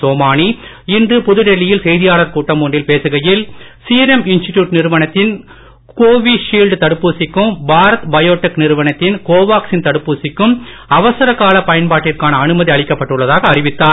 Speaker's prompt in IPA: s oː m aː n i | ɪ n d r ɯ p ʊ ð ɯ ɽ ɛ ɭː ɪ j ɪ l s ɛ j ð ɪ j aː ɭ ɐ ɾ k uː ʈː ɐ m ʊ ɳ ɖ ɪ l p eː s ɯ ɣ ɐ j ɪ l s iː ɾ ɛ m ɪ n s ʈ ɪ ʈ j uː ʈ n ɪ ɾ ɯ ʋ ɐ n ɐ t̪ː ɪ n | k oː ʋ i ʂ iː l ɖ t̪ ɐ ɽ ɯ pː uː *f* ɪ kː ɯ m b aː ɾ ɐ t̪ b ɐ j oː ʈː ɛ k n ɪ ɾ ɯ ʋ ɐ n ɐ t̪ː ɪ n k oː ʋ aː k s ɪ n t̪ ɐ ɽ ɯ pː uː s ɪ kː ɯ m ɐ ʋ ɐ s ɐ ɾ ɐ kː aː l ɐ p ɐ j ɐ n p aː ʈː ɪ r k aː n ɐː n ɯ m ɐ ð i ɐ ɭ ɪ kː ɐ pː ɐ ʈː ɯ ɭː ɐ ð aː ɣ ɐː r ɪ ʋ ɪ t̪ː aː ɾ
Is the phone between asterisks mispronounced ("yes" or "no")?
yes